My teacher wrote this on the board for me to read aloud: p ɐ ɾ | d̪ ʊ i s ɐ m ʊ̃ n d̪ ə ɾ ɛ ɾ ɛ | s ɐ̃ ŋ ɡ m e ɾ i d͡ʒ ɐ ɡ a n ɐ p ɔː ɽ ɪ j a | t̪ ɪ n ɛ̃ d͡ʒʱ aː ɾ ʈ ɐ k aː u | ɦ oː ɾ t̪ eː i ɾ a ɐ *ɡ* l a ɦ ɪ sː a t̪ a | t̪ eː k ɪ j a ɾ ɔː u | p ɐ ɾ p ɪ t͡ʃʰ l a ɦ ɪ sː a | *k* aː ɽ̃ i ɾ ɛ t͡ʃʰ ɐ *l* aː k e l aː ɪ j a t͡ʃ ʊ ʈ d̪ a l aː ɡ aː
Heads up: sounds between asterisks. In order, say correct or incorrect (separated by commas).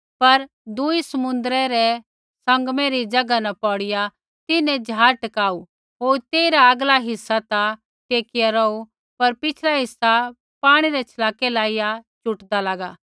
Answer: correct, incorrect, correct